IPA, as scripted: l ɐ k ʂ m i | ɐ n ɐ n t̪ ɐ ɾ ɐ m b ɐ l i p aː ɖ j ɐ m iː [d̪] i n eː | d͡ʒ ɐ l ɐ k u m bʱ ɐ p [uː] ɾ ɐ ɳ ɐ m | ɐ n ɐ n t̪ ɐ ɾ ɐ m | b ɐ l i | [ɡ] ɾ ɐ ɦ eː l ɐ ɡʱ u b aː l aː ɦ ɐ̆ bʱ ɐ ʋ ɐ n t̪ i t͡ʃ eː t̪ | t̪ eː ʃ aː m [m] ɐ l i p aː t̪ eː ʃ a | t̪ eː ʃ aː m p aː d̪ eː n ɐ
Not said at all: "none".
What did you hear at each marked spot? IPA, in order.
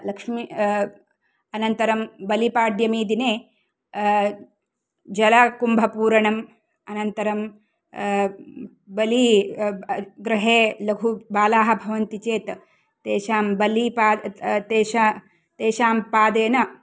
d̪, uː, ɡ, b

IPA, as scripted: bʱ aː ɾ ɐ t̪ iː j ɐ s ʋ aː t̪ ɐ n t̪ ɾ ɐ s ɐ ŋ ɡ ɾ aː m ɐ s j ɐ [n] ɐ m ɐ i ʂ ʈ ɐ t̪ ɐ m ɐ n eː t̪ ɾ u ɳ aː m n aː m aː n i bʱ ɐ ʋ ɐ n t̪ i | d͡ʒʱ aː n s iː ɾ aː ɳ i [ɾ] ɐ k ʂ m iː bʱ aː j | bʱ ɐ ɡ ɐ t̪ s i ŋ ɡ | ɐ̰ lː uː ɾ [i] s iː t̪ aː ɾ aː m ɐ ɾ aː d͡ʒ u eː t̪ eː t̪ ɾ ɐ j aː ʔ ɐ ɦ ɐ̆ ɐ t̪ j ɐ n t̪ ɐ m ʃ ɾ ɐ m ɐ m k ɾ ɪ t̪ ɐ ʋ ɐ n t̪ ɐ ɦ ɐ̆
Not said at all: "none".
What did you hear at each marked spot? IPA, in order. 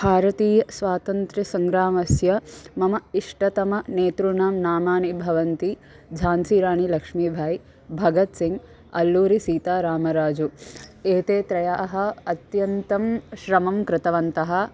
m, l, i

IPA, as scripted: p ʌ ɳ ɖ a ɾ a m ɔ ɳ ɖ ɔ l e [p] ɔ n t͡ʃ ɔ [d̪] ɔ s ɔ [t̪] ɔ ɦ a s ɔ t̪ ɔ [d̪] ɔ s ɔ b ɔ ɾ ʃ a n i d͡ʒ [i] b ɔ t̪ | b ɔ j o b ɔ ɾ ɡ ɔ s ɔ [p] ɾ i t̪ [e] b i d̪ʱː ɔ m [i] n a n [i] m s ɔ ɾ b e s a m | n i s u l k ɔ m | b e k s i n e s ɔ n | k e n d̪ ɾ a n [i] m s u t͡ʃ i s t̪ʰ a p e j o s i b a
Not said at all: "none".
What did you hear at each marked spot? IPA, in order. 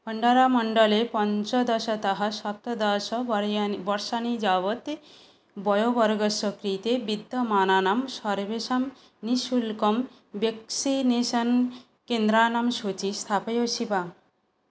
p, d̪, t̪, d̪, a, k, e, a, a, a

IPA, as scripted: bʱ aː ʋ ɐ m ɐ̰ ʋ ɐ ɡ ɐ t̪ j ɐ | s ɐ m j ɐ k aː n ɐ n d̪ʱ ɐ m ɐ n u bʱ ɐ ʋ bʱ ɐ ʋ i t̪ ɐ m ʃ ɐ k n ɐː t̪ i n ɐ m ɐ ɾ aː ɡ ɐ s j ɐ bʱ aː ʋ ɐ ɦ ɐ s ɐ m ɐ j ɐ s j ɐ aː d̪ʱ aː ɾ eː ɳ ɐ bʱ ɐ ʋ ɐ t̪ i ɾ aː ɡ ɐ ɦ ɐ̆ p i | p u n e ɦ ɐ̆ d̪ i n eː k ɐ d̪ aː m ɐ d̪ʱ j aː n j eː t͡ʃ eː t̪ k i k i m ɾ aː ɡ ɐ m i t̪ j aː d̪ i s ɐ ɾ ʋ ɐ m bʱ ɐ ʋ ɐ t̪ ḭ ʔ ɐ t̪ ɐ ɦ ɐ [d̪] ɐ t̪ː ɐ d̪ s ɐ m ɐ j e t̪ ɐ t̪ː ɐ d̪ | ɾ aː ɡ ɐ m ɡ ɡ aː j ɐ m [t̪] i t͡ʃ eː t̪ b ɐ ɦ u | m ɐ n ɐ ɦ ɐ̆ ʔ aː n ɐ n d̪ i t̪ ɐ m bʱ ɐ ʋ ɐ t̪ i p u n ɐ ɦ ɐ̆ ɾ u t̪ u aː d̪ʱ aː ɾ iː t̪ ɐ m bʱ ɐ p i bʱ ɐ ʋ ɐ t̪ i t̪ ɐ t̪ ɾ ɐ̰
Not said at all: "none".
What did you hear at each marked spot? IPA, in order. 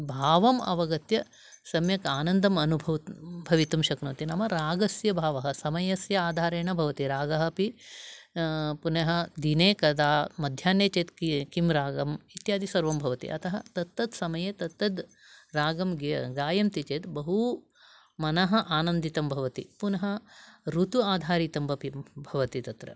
t̪, t̪

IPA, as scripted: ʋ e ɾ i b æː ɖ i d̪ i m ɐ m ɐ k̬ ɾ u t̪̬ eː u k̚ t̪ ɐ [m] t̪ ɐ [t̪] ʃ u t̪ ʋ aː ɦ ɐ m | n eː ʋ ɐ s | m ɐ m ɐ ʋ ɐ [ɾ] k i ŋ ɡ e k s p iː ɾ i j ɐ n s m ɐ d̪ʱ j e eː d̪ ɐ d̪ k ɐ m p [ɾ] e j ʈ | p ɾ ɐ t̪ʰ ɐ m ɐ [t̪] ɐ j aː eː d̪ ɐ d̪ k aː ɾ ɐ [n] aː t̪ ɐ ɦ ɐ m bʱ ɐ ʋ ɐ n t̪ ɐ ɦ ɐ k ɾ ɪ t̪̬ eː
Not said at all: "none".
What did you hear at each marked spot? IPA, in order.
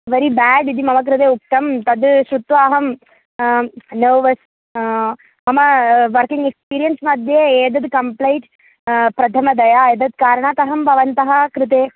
m, d̪, ɾ, l, d̪, ɳ

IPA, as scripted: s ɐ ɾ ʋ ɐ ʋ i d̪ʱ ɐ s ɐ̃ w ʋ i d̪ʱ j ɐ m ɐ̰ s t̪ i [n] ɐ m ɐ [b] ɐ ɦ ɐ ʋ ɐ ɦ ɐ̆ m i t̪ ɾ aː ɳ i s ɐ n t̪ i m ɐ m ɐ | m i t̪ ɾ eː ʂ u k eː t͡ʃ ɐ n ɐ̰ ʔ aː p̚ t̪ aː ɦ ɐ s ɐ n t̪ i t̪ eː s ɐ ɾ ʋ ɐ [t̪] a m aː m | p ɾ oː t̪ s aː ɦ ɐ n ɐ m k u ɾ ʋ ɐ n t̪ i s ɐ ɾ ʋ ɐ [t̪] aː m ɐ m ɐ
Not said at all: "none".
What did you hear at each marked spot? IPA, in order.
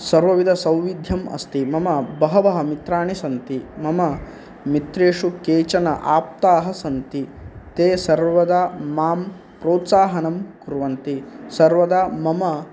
m, b, d̪, d̪

